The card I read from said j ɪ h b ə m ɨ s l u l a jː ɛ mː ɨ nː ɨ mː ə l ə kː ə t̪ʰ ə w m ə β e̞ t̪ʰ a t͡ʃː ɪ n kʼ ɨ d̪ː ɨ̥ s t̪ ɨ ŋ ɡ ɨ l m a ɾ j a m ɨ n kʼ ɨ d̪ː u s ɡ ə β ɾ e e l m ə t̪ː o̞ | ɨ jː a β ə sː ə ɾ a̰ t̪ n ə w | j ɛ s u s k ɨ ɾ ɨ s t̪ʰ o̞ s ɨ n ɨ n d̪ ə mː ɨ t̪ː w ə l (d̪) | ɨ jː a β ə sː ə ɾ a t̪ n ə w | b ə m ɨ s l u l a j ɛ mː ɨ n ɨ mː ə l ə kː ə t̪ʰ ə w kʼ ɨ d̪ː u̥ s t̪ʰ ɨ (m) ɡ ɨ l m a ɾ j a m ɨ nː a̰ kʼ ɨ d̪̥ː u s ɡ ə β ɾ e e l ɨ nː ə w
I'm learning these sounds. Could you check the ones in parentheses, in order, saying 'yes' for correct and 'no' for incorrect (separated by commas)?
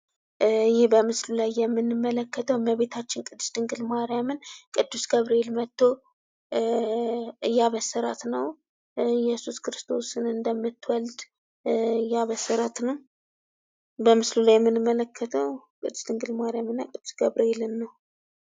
yes, no